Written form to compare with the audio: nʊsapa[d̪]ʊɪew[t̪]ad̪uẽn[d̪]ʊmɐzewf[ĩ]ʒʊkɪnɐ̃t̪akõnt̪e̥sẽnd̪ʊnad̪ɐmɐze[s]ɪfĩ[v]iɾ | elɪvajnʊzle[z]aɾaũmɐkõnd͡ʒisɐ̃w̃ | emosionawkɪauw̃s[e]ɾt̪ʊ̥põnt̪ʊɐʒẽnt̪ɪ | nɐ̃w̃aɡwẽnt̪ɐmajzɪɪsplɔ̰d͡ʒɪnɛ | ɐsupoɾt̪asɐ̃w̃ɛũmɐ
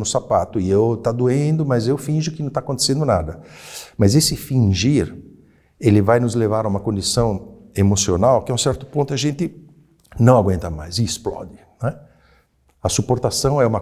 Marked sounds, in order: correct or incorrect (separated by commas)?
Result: incorrect, correct, correct, correct, correct, incorrect, incorrect, incorrect